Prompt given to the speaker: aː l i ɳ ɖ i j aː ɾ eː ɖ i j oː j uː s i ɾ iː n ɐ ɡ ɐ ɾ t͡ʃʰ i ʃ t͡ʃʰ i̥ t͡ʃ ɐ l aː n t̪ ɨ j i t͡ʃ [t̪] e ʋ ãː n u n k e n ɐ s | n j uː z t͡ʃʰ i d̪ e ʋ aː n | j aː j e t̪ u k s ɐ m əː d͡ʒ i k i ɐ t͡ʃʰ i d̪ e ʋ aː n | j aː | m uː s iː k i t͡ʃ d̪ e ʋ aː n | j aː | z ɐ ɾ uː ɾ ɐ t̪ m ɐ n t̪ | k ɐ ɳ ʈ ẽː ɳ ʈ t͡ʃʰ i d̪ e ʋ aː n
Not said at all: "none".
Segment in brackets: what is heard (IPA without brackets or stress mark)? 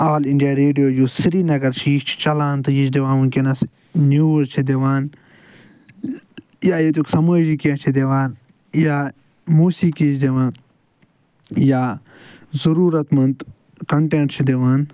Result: d̪